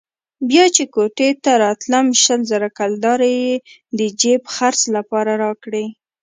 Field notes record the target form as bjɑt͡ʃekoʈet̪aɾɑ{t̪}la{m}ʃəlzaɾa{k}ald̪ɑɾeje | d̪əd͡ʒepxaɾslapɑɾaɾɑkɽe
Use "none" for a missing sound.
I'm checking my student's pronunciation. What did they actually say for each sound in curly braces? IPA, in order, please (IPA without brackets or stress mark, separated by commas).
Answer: t̪, m, k